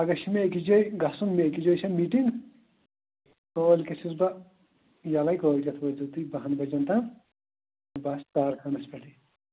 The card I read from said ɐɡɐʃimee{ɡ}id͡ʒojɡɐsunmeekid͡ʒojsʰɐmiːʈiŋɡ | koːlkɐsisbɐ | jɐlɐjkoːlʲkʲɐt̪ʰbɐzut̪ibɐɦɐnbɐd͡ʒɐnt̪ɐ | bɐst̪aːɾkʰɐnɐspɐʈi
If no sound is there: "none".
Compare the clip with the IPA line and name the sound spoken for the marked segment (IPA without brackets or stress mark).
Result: k